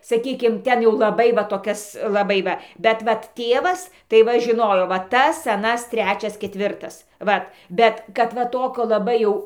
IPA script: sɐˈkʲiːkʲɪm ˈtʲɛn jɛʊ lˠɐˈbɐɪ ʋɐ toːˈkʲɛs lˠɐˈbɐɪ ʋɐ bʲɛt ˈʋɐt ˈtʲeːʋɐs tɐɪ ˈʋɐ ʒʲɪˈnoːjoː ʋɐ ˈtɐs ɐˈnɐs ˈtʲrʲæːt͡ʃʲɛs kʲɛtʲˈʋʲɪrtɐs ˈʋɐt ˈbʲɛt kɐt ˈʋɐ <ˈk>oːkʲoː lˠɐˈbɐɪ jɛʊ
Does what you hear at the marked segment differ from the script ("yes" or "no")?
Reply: yes